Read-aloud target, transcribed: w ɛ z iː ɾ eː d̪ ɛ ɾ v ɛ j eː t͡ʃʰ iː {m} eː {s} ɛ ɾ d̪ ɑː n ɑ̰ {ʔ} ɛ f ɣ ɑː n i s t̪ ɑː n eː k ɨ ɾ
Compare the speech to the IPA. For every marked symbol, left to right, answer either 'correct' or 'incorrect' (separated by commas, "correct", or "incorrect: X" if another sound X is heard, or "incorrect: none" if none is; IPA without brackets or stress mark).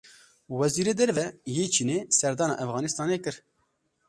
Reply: incorrect: n, correct, correct